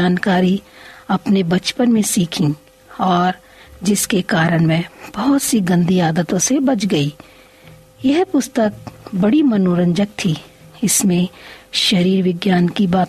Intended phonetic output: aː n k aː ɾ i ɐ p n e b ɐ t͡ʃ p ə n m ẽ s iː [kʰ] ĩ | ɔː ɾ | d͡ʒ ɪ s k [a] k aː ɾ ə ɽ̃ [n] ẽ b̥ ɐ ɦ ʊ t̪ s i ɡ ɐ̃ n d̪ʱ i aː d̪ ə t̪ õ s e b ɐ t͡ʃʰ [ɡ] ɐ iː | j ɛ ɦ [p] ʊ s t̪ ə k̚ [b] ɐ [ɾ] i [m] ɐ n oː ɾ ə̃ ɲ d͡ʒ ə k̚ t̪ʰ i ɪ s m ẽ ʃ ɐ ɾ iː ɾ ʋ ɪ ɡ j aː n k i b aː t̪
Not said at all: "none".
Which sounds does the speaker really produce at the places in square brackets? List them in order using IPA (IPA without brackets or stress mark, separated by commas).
kʰ, e, m, ɡ, p, b, ɽ, m